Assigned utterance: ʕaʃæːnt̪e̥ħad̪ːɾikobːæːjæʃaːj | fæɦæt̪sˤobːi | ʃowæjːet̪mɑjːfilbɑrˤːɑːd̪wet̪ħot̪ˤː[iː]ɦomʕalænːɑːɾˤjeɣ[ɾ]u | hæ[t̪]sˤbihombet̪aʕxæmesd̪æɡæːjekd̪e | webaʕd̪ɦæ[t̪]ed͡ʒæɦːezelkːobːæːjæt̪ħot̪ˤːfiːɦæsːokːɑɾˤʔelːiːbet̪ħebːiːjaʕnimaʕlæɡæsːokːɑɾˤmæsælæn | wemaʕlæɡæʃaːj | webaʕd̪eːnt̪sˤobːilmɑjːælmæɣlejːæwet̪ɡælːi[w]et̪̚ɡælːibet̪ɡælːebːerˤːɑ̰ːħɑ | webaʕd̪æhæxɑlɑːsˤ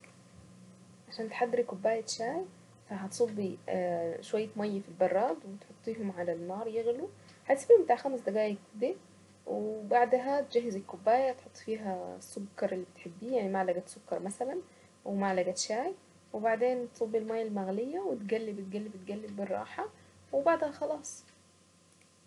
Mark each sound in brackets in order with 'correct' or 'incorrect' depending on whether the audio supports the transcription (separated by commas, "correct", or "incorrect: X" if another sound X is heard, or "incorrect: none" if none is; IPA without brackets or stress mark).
correct, incorrect: l, correct, correct, incorrect: b